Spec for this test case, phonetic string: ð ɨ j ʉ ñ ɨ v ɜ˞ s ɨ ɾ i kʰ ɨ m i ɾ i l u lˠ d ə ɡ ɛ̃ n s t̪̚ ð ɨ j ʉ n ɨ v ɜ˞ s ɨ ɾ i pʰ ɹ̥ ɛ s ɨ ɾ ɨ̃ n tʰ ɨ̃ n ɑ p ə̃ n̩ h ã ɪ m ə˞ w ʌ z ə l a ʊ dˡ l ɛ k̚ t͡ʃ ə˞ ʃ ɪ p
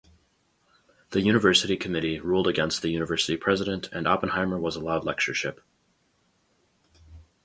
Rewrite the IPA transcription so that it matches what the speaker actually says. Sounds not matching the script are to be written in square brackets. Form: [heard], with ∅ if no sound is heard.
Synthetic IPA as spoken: ð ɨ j ʉ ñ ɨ v ɜ˞ s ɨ ɾ i kʰ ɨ m [ɪ] ɾ i [ɹ] u lˠ d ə ɡ ɛ̃ n s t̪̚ ð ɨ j ʉ n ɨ v ɜ˞ s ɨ ɾ i pʰ ɹ̥ ɛ [z] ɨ ɾ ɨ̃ n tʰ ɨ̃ n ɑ p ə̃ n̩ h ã ɪ m ə˞ w ʌ z ə l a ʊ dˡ l ɛ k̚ t͡ʃ ə˞ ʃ ɪ p